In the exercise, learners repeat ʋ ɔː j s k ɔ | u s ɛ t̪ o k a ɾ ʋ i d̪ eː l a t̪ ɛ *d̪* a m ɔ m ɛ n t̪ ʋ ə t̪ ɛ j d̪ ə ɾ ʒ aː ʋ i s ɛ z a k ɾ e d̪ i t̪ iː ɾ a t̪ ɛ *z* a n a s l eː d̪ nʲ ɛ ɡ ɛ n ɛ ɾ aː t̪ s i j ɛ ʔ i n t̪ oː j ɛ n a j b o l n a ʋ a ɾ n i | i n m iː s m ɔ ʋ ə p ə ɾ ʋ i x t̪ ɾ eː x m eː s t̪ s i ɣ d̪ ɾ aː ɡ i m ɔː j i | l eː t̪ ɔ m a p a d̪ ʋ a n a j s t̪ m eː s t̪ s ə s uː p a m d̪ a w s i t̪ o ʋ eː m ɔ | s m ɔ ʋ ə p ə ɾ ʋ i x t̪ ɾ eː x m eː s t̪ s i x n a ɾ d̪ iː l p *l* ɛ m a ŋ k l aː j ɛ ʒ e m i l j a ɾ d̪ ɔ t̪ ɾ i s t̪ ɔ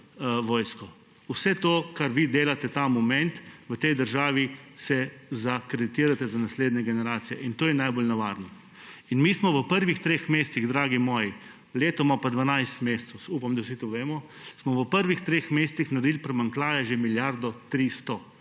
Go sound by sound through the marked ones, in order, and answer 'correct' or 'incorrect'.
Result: incorrect: t̪, correct, incorrect: ɾ

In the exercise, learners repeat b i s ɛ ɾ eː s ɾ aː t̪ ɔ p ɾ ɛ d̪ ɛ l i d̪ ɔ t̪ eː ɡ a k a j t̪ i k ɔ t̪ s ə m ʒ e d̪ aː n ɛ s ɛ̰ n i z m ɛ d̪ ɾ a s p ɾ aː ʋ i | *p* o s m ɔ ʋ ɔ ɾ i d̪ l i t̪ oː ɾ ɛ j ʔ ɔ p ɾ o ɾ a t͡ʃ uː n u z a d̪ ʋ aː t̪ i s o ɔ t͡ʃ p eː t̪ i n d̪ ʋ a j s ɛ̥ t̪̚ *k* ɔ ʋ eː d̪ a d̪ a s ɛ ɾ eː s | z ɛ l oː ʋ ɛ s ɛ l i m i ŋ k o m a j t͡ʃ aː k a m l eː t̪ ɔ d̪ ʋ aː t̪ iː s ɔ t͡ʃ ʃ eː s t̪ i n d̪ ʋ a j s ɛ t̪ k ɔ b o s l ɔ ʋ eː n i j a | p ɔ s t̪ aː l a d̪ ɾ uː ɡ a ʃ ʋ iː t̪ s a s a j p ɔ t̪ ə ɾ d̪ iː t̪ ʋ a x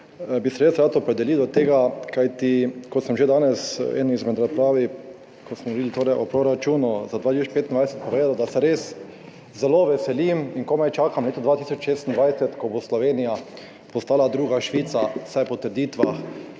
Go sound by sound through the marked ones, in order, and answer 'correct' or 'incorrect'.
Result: incorrect: k, incorrect: p

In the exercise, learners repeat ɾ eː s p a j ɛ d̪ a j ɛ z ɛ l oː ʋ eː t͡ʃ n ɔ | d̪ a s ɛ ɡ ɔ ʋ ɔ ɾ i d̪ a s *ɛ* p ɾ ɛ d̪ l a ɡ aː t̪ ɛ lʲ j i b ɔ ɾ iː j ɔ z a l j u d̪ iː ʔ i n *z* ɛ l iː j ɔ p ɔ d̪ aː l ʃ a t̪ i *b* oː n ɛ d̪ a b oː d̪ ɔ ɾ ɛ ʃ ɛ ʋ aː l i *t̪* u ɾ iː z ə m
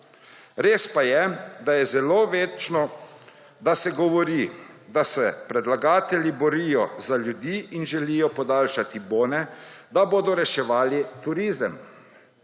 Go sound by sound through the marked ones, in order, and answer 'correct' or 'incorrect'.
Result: correct, incorrect: ʒ, correct, correct

